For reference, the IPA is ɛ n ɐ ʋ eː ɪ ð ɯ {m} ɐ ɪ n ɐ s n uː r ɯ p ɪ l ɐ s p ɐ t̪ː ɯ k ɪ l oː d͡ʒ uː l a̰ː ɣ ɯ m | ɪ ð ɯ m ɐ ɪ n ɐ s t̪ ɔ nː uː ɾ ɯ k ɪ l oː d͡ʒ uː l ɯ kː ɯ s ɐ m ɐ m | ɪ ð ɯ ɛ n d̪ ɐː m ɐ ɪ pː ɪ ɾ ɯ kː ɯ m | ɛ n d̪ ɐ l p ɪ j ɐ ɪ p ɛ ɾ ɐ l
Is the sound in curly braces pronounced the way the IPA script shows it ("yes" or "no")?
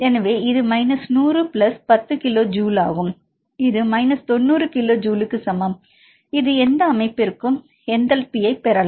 yes